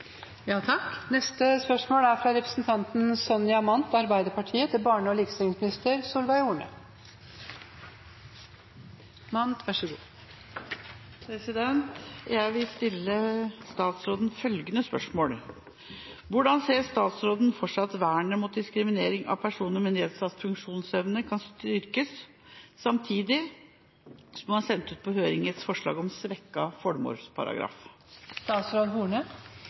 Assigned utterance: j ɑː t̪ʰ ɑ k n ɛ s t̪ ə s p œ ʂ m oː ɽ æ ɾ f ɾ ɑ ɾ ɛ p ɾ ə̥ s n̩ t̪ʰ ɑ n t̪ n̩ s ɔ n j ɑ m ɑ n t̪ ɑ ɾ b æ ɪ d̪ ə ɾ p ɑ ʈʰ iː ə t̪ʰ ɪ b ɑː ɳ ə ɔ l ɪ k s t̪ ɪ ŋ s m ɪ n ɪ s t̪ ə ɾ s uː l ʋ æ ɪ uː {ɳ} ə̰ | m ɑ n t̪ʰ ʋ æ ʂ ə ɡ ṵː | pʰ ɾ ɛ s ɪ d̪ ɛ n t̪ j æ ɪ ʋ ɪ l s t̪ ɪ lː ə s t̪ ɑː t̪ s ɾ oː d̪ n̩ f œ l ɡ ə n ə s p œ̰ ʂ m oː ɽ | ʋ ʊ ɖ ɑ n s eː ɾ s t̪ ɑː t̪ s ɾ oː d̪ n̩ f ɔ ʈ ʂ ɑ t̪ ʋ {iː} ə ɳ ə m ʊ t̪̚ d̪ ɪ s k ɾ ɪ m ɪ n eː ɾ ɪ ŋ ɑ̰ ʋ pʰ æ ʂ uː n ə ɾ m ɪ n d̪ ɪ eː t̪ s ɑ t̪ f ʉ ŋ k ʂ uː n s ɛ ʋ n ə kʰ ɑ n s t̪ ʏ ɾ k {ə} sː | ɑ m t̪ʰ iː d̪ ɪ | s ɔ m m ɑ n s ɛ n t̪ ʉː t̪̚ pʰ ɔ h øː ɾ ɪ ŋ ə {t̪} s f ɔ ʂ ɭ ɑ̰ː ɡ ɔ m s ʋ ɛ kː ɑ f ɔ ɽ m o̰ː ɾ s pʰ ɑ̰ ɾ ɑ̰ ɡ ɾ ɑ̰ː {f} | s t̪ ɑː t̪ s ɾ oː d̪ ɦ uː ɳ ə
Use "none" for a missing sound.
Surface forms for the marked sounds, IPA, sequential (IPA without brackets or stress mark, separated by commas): ɳ, æː, ə, t̪, f